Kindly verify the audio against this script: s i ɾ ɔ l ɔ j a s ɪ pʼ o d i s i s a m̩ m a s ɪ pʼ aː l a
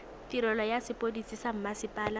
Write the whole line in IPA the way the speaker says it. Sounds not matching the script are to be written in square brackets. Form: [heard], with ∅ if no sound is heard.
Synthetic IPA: [t] i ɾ ɔ l ɔ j a s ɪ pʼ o d i s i s a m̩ m a s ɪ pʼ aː l a